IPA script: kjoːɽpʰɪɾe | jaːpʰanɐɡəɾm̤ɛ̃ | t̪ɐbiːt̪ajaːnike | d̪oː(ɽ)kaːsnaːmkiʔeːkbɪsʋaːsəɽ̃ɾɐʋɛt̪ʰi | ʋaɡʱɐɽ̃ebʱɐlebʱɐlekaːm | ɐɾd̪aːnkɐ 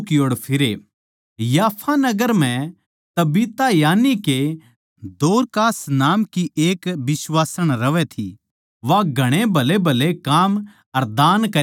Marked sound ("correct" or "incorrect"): incorrect